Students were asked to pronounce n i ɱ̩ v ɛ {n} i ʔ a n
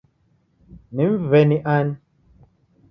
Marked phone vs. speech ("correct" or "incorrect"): correct